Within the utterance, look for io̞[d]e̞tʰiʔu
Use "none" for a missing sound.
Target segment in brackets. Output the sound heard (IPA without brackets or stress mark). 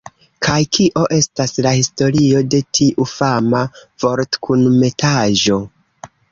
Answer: d